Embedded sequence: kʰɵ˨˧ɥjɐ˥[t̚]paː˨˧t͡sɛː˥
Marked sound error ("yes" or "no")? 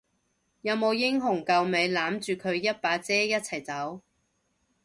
no